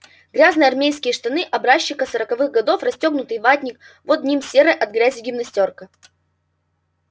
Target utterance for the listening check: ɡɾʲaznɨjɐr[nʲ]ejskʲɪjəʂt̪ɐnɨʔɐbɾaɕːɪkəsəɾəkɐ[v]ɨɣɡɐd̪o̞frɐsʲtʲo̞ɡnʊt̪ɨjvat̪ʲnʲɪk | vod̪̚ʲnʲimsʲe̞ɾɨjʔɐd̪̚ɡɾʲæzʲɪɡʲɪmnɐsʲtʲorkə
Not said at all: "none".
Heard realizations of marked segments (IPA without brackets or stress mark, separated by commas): mʲ, v